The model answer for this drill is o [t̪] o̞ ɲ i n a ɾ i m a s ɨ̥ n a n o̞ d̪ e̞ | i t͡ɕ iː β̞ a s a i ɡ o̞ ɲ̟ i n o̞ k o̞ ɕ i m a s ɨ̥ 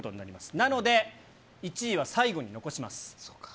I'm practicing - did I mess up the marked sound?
no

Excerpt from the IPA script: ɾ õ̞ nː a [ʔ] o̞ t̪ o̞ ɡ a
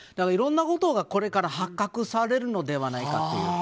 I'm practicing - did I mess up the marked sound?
yes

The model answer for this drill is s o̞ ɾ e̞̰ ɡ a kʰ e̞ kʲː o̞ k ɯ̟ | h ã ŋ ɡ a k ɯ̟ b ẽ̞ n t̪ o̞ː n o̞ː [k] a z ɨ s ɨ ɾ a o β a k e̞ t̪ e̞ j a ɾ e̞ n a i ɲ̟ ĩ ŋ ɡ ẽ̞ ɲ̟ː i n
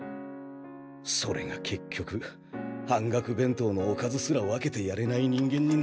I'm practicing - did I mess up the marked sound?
no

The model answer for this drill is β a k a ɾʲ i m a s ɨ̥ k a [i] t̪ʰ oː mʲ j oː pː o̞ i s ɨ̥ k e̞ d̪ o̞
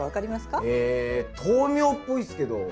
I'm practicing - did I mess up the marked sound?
yes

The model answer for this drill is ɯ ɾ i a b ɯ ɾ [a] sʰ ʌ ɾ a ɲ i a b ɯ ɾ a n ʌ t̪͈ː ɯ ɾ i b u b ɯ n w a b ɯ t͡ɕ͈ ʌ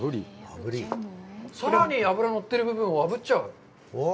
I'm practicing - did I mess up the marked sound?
yes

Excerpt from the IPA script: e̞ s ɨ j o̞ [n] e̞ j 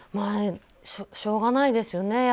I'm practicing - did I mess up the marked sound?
no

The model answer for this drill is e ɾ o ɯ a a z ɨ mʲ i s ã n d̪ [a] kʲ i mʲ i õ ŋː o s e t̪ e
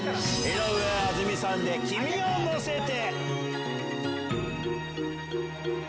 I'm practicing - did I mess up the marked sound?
yes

